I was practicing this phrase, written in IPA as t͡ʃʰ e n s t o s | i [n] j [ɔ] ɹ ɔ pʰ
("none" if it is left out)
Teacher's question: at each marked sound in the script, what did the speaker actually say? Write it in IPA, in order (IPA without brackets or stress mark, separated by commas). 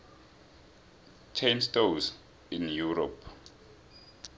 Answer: n, u